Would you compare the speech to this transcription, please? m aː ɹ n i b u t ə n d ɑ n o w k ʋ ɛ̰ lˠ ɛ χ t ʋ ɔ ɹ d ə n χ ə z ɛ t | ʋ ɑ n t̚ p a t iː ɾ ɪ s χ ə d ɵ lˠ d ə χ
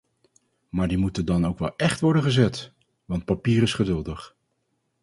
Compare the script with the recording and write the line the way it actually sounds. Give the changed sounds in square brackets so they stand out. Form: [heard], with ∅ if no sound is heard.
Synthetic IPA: m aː ɹ [d] i [m] u t ə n d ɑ n o w k ʋ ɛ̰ lˠ ɛ χ t ʋ ɔ ɹ d ə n χ ə z ɛ t | ʋ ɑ n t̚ p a [p] iː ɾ ɪ s χ ə d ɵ lˠ d ə χ